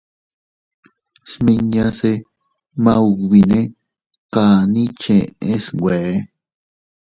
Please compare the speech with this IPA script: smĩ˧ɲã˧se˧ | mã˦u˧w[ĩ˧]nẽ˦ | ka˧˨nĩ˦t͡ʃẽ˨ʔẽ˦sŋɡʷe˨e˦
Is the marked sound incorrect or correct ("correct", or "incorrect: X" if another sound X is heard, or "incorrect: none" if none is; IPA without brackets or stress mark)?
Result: incorrect: i˧